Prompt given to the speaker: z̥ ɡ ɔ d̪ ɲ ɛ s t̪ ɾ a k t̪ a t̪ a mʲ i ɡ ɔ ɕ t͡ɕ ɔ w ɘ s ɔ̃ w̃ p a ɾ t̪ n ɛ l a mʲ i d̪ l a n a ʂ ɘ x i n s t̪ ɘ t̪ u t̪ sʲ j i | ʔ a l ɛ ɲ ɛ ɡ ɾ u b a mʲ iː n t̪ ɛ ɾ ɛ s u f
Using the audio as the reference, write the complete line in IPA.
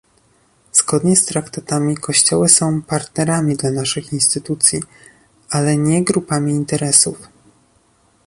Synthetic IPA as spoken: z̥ ɡ ɔ d̪ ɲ ɛ s t̪ ɾ a k t̪ a t̪ a mʲ i k ɔ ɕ t͡ɕ ɔ w ɘ s ɔ̃ w̃ p a ɾ t̪ n ɛ ɾ a mʲ i d̪ l a n a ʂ ɘ x i n s t̪ ɘ t̪ u t̪ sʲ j i | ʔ a l ɛ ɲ ɛ ɡ ɾ u p a mʲ iː n t̪ ɛ ɾ ɛ s u f